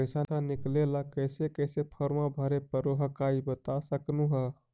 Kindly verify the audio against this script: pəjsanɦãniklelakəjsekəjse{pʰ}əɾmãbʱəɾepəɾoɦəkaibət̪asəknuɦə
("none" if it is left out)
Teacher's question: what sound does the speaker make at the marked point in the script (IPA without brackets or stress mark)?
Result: pʰ